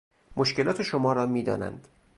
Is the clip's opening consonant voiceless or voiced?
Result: voiced